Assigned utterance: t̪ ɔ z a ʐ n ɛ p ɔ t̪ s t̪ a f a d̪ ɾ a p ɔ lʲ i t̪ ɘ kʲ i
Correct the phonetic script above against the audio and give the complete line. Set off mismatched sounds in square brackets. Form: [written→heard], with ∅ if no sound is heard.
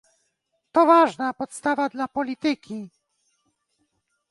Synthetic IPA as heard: t̪ ɔ [z→v] a ʐ n [ɛ→a] p ɔ t̪ s t̪ a [f→v] a d̪ [ɾ→l] a p ɔ lʲ i t̪ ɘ kʲ i